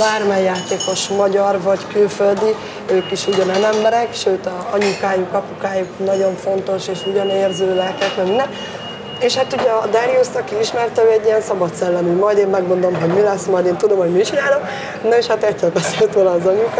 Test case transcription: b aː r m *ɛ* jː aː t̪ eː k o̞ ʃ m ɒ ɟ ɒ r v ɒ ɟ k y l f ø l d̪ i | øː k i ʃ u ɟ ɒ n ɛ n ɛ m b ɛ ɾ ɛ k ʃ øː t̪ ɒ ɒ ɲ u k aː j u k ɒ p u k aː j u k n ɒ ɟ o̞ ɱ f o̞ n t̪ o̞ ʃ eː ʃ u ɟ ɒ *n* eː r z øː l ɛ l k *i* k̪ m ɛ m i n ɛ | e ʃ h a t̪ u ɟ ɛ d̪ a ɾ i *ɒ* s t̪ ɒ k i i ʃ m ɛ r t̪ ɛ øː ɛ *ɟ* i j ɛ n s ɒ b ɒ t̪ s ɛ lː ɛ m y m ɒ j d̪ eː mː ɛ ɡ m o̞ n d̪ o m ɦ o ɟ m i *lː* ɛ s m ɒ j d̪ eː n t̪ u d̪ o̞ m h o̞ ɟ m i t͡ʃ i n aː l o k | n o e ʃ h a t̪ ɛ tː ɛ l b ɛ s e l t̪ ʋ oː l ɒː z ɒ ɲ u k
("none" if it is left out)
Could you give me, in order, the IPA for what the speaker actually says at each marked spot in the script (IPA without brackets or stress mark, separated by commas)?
ɛ, n, ɛ, u, ɟː, l